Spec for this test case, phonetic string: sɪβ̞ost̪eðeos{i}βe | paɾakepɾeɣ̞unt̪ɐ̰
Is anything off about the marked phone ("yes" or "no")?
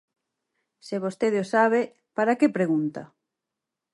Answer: yes